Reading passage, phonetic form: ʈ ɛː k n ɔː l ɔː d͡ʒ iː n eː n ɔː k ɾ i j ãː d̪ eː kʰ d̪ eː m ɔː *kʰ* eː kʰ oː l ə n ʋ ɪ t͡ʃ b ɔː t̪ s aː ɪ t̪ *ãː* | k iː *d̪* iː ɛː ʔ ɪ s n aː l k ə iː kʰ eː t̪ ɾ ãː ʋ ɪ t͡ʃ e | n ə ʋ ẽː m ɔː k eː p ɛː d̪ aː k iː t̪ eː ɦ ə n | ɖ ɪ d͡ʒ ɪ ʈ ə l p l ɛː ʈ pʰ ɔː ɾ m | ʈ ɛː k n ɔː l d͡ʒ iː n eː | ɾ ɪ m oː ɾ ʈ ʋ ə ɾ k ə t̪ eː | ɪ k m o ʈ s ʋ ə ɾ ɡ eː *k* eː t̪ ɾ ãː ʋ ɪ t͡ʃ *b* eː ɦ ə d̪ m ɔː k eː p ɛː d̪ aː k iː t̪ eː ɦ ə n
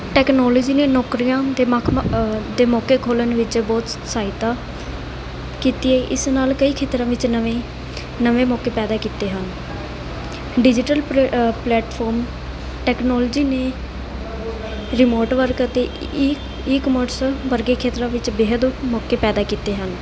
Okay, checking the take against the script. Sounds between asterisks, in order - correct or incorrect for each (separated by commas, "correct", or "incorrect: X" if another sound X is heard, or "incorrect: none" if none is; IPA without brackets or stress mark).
incorrect: k, incorrect: aː, incorrect: t̪, incorrect: kʰ, correct